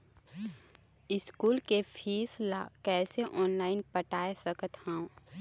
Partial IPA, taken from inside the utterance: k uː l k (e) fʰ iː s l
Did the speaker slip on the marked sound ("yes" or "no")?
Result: no